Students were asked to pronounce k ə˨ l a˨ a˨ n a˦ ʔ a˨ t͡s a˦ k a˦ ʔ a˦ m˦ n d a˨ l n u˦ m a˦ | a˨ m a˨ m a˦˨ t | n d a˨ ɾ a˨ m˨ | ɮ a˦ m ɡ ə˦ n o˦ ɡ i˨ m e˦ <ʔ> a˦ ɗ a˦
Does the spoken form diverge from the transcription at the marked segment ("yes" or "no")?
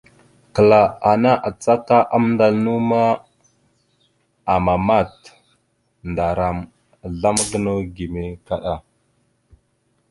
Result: yes